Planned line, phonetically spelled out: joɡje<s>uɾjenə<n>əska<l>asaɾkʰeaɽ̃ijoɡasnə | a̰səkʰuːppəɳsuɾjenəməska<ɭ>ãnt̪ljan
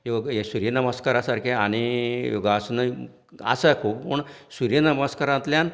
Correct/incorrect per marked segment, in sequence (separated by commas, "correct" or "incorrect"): correct, incorrect, incorrect, incorrect